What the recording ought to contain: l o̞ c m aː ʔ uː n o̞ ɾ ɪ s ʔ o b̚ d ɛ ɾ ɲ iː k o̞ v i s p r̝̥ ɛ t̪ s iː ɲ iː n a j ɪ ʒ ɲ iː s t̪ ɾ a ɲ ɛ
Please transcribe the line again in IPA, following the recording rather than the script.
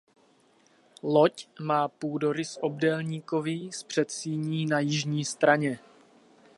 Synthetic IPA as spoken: l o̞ c m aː p uː d o̞ ɾ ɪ s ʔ o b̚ d ɛ l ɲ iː k o̞ v i s p r̝̥ ɛ t̪ s iː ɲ iː n a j ɪ ʒ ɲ iː s t̪ ɾ a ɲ ɛ